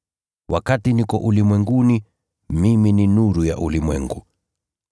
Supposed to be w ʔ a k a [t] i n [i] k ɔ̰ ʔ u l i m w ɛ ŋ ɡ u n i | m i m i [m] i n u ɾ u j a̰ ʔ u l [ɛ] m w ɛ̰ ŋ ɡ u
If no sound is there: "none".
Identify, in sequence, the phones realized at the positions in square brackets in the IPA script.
t, i, n, i

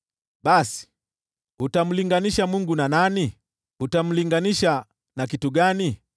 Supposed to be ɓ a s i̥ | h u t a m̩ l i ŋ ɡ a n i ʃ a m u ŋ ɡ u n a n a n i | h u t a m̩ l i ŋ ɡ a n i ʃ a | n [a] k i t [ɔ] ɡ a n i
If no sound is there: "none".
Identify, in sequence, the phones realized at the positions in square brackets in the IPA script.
a, u

